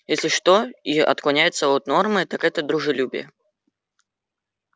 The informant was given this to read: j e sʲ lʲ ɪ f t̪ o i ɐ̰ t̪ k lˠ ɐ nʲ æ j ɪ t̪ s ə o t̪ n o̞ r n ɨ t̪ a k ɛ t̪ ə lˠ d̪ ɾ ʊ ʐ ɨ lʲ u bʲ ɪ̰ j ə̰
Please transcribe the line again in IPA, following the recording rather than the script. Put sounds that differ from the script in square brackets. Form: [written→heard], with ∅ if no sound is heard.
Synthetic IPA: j e sʲ lʲ ɪ [f→ʂ] t̪ o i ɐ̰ t̪ k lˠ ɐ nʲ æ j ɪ t̪ s ə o t̪ n o̞ r [n→m] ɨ t̪ a k ɛ t̪ ə [lˠ→∅] d̪ ɾ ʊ ʐ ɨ lʲ u bʲ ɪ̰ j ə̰